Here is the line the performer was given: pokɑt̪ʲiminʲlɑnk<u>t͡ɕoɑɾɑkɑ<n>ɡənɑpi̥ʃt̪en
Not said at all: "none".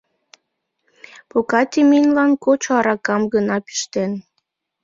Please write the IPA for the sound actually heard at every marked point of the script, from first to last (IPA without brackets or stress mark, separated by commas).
o, m